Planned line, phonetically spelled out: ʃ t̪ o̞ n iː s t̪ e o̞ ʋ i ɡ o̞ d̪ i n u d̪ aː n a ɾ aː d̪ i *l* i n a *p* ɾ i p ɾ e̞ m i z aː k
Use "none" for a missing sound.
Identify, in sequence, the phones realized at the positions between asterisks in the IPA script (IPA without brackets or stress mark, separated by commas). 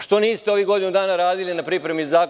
l, p